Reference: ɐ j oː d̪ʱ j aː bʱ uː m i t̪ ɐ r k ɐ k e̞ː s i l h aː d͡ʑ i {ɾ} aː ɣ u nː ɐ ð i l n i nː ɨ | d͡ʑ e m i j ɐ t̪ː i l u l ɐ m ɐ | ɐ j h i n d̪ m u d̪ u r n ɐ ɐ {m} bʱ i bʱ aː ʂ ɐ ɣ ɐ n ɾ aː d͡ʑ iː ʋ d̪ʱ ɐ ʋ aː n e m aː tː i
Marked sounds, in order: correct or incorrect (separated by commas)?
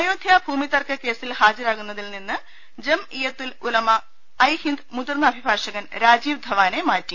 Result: correct, incorrect